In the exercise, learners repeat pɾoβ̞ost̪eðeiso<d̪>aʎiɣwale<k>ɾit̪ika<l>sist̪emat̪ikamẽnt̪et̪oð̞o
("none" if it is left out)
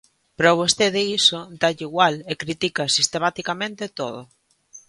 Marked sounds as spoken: d̪, k, none

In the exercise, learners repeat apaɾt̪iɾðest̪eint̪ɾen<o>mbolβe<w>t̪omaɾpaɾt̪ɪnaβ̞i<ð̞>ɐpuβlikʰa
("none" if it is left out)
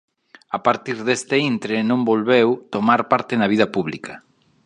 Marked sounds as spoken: õ, w, ð̞

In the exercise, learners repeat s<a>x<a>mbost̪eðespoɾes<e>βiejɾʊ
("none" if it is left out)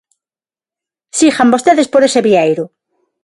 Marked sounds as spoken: i, a, e

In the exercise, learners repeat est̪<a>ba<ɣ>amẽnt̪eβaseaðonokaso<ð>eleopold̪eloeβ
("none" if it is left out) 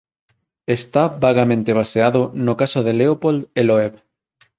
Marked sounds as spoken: a, ɣ, ð

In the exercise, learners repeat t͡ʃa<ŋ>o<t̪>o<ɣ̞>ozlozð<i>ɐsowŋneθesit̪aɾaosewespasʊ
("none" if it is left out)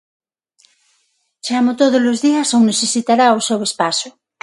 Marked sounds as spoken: m, t̪, ð̞, i

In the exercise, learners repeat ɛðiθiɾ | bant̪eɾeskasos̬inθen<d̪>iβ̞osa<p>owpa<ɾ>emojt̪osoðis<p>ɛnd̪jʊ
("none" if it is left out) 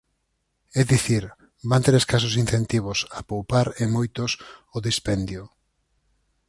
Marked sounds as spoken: t̪, p, ɾ, p

